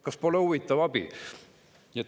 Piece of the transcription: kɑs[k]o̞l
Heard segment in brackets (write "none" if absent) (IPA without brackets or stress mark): p